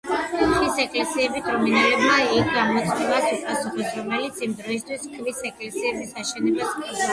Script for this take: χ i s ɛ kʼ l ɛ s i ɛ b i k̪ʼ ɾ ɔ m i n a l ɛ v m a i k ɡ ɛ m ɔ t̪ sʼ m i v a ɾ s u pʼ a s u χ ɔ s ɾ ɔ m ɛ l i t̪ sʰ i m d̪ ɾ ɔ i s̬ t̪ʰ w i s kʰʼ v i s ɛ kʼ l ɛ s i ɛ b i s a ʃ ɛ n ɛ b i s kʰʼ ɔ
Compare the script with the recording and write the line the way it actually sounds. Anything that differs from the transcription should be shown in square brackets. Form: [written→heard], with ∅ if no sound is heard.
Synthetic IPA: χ i s ɛ kʼ l ɛ s i ɛ b i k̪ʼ ɾ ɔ m i n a l ɛ [v→b] m a i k ɡ [ɛ→a] m ɔ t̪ sʼ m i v a [ɾ→∅] s u pʼ a s u χ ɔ s ɾ ɔ m ɛ l i t̪ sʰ i m d̪ ɾ ɔ i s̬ t̪ʰ w i s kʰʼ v i s ɛ kʼ l ɛ s i ɛ b i s a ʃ ɛ n ɛ b [i→a] s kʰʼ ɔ